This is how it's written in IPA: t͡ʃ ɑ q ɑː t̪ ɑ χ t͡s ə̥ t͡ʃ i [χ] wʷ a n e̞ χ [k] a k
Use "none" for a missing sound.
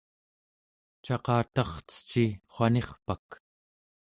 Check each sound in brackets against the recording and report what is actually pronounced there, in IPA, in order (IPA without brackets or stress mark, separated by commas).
χ, p